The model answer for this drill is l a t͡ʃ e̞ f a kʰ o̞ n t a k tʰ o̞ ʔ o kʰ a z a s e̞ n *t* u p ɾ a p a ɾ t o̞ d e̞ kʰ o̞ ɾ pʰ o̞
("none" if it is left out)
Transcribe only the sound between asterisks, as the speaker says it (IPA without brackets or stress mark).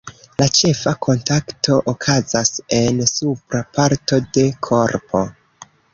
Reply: s